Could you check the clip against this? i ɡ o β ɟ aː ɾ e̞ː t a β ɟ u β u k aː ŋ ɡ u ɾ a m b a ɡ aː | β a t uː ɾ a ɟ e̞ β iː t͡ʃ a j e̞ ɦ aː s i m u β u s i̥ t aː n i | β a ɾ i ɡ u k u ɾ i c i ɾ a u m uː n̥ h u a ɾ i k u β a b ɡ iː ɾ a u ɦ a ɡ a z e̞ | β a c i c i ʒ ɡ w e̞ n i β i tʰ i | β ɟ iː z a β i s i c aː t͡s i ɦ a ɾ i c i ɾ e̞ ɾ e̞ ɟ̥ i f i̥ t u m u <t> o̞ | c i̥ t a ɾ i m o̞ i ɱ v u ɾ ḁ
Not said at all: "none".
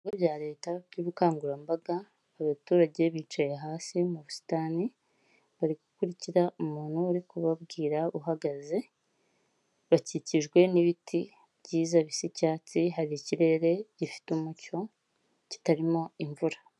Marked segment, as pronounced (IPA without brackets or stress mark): c